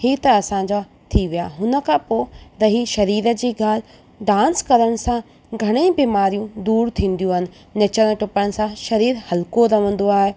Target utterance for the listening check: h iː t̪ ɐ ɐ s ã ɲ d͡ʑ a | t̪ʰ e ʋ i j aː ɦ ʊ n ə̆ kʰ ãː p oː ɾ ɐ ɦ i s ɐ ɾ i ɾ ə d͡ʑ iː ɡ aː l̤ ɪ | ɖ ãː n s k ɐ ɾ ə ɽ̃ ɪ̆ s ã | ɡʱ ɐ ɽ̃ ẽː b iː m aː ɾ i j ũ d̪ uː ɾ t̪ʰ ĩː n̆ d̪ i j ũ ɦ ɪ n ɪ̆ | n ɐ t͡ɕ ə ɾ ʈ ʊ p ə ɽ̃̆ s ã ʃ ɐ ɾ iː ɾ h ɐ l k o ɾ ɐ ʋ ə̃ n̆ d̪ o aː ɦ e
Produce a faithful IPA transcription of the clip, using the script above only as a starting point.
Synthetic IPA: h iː t̪ ɐ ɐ s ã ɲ d͡ʑ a | t̪ʰ i ʋ i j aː ɦ ʊ n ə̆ kʰ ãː p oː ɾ ɐ ɦ i ʃ ɐ ɾ iː ɾ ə d͡ʑ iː ɡ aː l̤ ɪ | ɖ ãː n s k ɐ ɾ ə ɽ̃ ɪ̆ s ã | ɡʱ ɐ ɽ̃ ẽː b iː m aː ɾ i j ũ d̪ uː ɾ t̪ʰ ĩː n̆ d̪ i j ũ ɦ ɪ n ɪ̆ | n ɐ t͡ɕ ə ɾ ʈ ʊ p ə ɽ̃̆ s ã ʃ ɐ ɾ iː ɾ h ɐ l k o ɾ ɐ ʋ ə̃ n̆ d̪ o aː ɦ e